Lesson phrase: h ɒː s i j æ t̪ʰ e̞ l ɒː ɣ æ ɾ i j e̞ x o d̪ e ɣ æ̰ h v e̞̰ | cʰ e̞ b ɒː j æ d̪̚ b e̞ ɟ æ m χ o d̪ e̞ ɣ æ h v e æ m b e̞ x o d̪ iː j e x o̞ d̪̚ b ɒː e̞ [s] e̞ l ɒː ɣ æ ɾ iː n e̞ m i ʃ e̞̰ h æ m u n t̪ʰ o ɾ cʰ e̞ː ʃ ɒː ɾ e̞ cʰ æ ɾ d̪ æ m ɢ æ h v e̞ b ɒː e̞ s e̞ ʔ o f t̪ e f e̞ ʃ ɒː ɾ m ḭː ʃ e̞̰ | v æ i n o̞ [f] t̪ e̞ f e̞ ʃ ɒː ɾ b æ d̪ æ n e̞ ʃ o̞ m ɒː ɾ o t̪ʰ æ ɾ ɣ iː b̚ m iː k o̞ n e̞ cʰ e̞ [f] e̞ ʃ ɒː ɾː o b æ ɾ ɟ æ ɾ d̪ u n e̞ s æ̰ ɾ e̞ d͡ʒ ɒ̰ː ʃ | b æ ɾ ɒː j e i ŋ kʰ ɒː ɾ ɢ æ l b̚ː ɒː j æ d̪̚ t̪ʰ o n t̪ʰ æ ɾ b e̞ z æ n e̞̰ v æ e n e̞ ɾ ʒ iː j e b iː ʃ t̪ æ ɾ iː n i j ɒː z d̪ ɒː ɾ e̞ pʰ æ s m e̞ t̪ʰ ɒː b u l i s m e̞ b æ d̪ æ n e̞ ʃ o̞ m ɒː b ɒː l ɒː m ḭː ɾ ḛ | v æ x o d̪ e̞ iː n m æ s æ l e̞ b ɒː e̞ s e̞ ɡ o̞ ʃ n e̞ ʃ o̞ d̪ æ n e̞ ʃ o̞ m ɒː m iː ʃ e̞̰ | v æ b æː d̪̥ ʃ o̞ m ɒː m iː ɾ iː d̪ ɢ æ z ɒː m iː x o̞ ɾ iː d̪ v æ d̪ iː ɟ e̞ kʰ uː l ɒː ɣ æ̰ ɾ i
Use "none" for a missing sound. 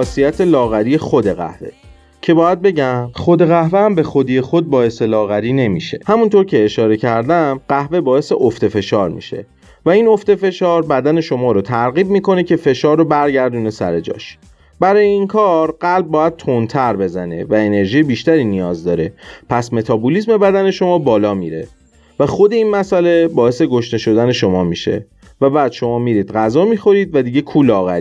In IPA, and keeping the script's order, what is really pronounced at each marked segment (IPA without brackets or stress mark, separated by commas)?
s, f, f